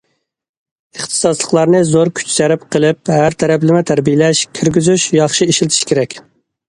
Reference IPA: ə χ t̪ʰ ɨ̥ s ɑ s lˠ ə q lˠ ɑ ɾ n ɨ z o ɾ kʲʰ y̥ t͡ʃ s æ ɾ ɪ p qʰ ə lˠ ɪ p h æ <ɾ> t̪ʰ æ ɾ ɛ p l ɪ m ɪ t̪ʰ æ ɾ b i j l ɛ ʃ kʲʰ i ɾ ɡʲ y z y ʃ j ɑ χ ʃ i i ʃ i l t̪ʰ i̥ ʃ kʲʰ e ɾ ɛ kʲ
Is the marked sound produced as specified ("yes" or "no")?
yes